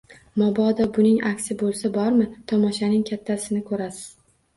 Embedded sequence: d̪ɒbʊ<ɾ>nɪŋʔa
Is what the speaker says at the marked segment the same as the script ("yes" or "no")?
no